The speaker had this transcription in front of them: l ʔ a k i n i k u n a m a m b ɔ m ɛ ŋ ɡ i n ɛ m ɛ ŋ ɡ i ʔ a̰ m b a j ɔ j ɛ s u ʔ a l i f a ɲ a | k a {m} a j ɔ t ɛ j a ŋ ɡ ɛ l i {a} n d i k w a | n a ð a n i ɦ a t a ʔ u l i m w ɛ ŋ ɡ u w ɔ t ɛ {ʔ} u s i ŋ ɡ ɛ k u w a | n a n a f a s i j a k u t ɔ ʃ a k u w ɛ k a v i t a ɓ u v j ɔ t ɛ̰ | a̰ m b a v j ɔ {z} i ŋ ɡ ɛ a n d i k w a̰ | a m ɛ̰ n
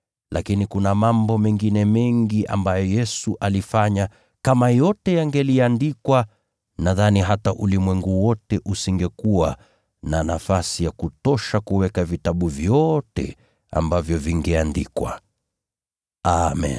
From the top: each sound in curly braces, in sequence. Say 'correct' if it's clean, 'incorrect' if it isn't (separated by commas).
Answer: correct, correct, correct, incorrect